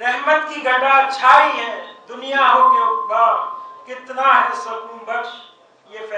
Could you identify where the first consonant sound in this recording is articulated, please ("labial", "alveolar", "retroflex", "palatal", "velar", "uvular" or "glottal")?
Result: alveolar